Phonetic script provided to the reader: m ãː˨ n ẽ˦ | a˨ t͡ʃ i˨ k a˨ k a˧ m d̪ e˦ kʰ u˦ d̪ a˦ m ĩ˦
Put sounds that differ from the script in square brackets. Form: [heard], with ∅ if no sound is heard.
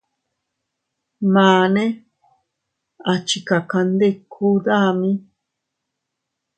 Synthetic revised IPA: m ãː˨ n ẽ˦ | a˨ t͡ʃ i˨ k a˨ k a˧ [n] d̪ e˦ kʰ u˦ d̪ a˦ m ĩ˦